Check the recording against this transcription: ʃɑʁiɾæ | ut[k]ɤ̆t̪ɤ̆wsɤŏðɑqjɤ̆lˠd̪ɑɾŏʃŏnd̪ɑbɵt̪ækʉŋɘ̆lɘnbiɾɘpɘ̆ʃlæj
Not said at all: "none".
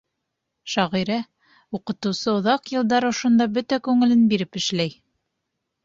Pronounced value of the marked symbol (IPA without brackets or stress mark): q